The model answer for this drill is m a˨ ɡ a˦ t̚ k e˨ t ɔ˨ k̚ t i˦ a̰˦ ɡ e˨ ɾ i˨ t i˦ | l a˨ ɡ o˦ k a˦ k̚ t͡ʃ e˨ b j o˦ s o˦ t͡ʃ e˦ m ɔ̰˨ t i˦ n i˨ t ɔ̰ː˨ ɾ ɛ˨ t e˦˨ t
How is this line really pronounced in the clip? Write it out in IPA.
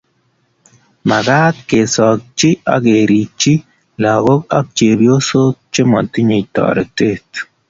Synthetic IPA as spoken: m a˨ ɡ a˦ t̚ k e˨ s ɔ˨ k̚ t͡ʃ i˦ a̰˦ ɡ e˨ ɾ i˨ t͡ʃ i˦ | l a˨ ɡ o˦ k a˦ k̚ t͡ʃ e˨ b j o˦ s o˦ t͡ʃ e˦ m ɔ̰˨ t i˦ ɲ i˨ t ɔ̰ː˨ ɾ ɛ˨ t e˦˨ t